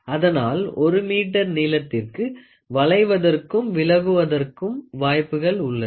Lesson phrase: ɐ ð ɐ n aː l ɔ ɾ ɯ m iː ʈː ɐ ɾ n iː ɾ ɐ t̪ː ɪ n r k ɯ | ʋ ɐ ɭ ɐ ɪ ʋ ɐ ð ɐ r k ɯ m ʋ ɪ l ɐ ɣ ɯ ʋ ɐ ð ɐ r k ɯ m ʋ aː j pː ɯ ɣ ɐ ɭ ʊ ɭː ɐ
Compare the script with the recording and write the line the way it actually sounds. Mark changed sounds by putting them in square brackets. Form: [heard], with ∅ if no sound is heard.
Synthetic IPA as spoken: ɐ ð ɐ n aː l ɔ ɾ ɯ m iː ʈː ɐ ɾ n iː [l] ɐ t̪ː ɪ [∅] r k ɯ | ʋ ɐ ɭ ɐ ɪ ʋ ɐ ð ɐ r k ɯ m ʋ ɪ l ɐ ɣ ɯ ʋ ɐ ð ɐ r k ɯ m ʋ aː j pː ɯ ɣ ɐ ɭ ʊ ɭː ɐ